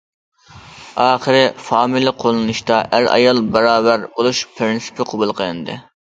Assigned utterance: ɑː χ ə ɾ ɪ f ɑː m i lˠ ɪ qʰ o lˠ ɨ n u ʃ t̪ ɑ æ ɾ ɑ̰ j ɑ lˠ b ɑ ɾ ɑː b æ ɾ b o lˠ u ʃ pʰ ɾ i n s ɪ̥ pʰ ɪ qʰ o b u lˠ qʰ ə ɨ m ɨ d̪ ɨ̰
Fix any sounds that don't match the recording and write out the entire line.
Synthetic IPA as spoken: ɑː χ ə ɾ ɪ f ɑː m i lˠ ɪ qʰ o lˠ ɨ n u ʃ t̪ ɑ æ ɾ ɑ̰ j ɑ lˠ b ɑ ɾ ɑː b æ ɾ b o lˠ u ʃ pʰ ɾ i n s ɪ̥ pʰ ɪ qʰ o b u lˠ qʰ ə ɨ n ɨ d̪ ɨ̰